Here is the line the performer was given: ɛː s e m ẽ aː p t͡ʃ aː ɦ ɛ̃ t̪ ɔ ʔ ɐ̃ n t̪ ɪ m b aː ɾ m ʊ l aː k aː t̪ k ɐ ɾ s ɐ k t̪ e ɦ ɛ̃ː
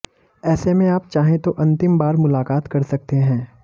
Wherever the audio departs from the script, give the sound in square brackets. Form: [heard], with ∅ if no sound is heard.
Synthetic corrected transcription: ɛː s e m ẽ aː p t͡ʃ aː ɦ [ẽ] t̪ [o] ʔ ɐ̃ n t̪ ɪ m b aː ɾ m ʊ l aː k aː t̪ k ɐ ɾ s ɐ k t̪ e ɦ ɛ̃ː